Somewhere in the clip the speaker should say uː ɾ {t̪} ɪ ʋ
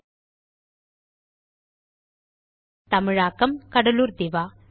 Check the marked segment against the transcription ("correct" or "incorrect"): incorrect